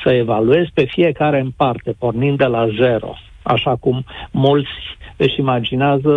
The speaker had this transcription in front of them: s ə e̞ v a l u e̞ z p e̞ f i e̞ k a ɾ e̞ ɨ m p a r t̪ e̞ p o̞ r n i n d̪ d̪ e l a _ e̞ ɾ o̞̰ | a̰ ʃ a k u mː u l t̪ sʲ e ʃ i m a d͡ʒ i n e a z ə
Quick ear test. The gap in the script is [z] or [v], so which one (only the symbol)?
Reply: z